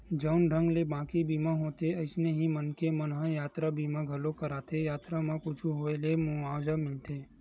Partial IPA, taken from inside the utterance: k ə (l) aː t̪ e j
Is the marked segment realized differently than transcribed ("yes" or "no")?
yes